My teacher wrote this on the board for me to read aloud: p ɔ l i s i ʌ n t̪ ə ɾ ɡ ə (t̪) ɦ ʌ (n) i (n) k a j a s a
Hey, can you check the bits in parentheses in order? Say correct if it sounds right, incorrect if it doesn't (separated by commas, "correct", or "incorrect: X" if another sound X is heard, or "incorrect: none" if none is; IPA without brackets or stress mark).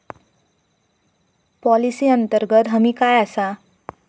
correct, incorrect: m, incorrect: none